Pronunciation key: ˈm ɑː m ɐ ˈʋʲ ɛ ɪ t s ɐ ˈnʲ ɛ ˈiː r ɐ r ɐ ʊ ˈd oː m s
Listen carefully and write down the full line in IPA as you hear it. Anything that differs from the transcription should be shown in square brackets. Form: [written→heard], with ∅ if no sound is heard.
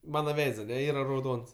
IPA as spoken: ˈm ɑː [m→n] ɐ ˈʋʲ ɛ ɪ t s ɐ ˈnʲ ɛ ˈiː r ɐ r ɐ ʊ ˈd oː [m→n] s